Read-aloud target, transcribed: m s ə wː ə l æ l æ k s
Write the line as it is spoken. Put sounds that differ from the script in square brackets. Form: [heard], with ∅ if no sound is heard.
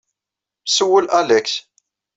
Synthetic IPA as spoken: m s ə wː ə l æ l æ k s